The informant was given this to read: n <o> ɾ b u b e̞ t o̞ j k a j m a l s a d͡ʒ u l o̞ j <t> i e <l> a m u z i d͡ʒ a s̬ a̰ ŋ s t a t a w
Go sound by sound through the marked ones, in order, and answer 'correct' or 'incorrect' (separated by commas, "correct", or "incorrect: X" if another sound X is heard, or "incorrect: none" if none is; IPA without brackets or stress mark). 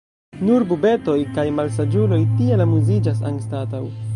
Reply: incorrect: u, correct, correct